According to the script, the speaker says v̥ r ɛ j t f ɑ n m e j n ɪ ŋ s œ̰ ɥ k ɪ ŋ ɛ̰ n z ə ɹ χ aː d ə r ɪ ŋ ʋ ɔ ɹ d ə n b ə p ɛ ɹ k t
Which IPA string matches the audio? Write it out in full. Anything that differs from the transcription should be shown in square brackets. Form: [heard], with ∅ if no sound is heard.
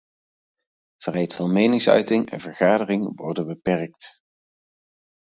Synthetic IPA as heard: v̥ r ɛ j t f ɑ n m e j n ɪ ŋ s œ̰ ɥ [t] ɪ ŋ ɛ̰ n [v] ə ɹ χ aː d ə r ɪ ŋ ʋ ɔ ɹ d ə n b ə p ɛ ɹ k t